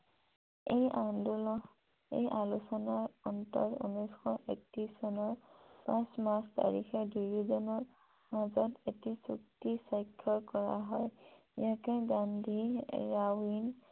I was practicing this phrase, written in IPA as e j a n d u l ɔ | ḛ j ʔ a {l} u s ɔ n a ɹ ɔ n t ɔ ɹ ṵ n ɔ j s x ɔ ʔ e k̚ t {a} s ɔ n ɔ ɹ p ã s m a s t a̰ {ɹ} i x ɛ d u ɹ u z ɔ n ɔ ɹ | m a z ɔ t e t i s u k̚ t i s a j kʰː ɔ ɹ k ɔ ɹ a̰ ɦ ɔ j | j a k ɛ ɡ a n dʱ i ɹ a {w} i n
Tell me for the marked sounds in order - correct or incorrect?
correct, incorrect, correct, correct

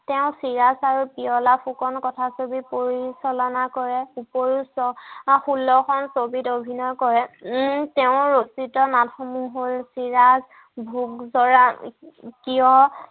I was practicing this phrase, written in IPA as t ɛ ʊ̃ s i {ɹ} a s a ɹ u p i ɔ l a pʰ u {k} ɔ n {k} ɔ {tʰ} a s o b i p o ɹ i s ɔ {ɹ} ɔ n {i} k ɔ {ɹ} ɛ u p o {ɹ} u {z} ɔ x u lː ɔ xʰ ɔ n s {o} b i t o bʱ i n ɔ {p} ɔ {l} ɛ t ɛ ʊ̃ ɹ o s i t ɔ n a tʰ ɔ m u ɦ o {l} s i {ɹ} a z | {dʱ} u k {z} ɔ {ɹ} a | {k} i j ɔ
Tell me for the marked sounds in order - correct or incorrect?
correct, correct, correct, correct, incorrect, incorrect, correct, correct, incorrect, correct, incorrect, incorrect, correct, correct, incorrect, correct, correct, correct

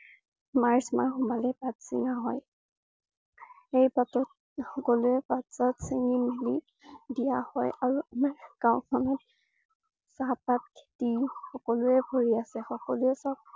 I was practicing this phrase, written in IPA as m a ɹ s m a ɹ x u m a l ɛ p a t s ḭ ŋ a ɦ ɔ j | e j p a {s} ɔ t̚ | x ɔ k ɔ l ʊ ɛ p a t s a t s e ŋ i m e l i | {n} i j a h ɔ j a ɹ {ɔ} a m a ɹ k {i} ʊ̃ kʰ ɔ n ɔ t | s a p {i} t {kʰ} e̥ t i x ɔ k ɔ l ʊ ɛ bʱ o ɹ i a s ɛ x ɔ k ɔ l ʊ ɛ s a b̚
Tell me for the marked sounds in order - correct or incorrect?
incorrect, incorrect, incorrect, incorrect, incorrect, correct

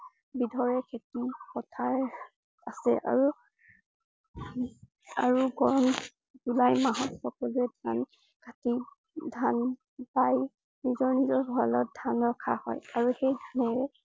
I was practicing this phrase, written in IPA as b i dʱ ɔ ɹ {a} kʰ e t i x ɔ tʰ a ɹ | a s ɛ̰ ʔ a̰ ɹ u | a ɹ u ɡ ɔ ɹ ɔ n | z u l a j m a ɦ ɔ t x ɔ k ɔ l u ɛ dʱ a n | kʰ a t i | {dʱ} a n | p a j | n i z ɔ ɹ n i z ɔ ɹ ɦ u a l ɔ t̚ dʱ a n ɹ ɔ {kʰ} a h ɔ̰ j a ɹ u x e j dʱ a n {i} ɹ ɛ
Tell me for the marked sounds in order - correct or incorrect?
incorrect, correct, correct, incorrect

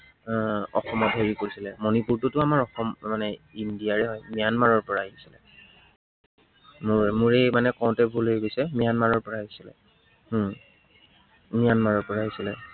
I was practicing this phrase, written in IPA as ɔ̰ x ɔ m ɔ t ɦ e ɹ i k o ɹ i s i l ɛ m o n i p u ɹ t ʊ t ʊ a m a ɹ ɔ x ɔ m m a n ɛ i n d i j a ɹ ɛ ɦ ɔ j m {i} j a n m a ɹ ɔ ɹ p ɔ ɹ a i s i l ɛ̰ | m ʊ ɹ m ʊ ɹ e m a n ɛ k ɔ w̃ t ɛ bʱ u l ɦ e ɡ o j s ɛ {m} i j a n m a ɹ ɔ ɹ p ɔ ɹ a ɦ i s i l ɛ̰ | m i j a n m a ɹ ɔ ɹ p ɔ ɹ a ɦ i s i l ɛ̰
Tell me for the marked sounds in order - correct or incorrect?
correct, correct

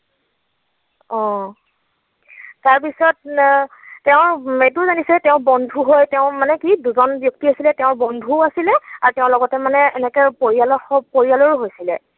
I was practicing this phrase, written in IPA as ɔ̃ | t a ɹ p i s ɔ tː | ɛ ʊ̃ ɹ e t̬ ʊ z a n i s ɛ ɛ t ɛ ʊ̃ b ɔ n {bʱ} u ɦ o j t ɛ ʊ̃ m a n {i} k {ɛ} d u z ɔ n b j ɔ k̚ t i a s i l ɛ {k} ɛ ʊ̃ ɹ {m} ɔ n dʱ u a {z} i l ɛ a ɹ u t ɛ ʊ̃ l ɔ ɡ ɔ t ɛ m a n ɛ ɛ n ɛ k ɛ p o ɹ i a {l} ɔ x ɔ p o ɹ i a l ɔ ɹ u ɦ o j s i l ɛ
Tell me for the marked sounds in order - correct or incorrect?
incorrect, incorrect, incorrect, incorrect, incorrect, incorrect, correct

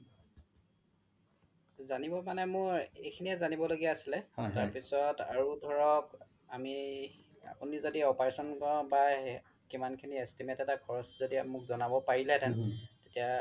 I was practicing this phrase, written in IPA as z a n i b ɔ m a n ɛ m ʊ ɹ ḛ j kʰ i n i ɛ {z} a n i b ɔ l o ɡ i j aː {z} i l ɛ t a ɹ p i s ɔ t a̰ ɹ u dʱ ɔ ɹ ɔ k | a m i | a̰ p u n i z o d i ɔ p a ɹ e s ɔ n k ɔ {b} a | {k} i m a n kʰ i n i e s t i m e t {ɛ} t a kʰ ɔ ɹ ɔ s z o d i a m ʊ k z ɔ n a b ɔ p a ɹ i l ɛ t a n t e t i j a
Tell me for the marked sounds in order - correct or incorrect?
correct, incorrect, correct, correct, correct

